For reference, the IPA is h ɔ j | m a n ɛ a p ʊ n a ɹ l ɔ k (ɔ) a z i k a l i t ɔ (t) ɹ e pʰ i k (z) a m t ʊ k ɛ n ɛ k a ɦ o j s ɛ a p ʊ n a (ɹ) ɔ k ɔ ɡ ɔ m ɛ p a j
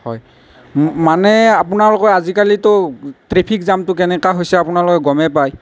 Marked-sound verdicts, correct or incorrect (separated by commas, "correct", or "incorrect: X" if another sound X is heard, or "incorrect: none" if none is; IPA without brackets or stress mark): correct, correct, correct, incorrect: l